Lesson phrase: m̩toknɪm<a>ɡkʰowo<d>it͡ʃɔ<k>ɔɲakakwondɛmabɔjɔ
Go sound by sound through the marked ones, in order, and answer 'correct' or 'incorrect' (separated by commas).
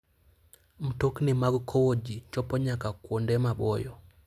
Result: correct, incorrect, incorrect